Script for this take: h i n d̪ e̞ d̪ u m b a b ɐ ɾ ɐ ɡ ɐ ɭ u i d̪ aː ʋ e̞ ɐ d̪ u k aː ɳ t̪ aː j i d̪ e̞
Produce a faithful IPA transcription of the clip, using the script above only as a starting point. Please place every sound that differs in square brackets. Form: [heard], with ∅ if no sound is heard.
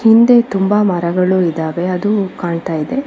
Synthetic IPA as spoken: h i n d̪ e̞ [t̪] u m b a [m] ɐ ɾ ɐ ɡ ɐ ɭ u i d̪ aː ʋ e̞ ɐ d̪ u k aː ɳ t̪ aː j i d̪ e̞